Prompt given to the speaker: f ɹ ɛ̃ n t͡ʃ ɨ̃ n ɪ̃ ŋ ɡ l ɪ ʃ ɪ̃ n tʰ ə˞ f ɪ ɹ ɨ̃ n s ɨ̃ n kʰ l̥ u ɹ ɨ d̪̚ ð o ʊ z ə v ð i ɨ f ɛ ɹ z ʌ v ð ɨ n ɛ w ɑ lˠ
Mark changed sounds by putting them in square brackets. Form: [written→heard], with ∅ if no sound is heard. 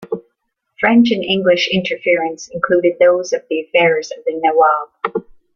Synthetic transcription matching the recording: f ɹ ɛ̃ n t͡ʃ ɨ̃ n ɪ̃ ŋ ɡ l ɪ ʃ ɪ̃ n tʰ ə˞ f ɪ ɹ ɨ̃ n s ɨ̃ n kʰ l̥ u [ɹ→ɾ] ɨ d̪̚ ð o ʊ z [ə→ʌ] v ð i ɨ f ɛ ɹ z ʌ v ð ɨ n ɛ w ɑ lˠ